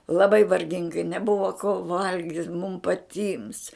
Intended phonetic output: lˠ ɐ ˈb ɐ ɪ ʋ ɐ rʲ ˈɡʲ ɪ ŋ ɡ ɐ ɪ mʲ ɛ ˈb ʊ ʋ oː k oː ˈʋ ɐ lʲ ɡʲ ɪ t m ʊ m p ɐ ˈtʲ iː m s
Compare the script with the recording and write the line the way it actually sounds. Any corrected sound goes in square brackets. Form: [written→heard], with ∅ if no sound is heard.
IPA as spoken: lˠ ɐ ˈb ɐ ɪ ʋ ɐ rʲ ˈɡʲ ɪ ŋ ɡ ɐ ɪ [mʲ→nʲ] ɛ ˈb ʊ ʋ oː k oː ˈʋ ɐ lʲ ɡʲ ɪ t m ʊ m p ɐ ˈtʲ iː m s